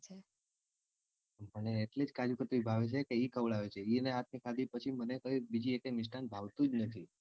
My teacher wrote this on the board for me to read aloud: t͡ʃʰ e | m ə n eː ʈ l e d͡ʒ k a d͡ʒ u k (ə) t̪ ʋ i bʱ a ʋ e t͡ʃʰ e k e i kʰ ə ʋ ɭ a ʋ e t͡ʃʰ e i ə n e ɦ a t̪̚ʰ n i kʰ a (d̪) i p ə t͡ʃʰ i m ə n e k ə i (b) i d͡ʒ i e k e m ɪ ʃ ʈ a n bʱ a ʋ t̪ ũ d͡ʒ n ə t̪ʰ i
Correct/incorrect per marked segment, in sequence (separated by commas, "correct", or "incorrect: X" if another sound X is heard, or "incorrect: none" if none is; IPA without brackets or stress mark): correct, correct, correct